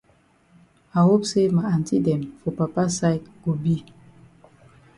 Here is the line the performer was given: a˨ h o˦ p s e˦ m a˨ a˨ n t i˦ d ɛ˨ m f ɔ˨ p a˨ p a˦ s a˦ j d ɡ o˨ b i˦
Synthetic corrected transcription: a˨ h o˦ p s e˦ m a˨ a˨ n t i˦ d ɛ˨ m f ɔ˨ p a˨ p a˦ s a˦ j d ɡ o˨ b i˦